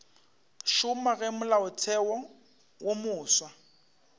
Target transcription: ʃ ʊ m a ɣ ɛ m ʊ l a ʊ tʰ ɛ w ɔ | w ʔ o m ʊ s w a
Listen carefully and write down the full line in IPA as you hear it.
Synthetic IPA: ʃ ʊ m a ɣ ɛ m ʊ l a ʊ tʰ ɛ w ɔ | w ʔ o m ʊː s w a